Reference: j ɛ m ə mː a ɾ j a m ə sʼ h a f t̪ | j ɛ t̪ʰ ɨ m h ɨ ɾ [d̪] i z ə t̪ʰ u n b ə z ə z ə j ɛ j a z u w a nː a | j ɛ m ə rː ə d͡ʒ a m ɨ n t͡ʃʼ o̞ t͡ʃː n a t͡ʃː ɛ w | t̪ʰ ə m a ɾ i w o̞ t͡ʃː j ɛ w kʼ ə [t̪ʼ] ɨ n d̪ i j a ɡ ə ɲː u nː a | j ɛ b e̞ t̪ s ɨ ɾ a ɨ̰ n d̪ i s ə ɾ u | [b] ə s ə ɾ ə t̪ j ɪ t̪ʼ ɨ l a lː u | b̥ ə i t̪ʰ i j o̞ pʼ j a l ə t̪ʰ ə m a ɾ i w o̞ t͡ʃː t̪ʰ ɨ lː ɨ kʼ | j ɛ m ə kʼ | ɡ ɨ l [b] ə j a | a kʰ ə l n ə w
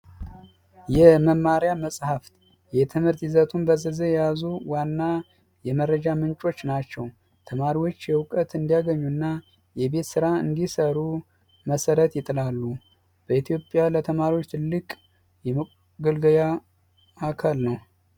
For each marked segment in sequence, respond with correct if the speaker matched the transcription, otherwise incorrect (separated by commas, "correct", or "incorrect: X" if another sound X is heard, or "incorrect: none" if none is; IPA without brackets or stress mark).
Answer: incorrect: t̪, incorrect: t̪, incorrect: m, incorrect: ɡ